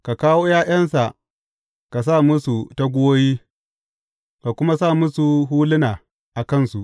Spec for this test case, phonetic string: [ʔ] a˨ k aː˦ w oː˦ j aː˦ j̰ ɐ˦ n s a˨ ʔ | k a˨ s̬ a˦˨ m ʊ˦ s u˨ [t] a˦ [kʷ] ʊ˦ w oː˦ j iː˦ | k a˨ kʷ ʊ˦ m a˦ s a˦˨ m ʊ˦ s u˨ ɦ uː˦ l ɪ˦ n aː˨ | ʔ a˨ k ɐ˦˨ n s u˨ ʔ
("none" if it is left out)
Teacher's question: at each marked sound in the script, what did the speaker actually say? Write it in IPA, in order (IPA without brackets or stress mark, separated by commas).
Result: k, t, ɡʷ